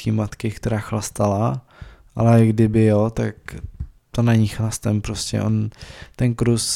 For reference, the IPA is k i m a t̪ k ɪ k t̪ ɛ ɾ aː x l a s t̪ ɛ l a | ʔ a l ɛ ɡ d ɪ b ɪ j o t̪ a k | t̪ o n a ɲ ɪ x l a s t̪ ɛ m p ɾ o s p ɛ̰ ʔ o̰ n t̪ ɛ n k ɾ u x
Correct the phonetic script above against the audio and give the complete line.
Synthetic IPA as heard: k i m a t̪ k ɪ k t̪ ɛ ɾ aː x l a s t̪ a l a | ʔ a l ɛ ɡ d ɪ b ɪ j o t̪ a k | t̪ o n a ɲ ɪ x l a s t̪ ɛ m p ɾ o s c ɛ̰ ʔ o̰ n t̪ ɛ n k ɾ u s